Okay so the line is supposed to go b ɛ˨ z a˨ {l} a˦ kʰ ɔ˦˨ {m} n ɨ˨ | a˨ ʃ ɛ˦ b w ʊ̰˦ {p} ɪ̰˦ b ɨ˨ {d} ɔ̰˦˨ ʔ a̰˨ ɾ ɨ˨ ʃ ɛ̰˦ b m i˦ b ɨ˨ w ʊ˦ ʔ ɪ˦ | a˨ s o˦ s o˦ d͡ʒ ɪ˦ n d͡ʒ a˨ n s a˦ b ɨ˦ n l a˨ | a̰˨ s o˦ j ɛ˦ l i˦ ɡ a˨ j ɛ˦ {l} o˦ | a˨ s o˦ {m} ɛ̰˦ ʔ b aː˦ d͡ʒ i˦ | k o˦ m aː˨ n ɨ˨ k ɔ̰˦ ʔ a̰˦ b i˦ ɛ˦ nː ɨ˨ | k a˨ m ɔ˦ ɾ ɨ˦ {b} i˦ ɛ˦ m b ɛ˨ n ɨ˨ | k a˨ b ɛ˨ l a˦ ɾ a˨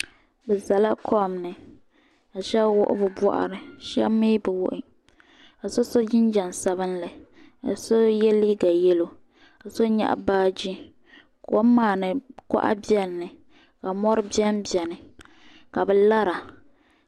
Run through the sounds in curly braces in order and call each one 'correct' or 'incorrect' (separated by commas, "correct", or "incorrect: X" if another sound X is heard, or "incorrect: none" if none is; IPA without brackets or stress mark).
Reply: correct, correct, incorrect: ʔ, incorrect: b, correct, incorrect: ɲ, correct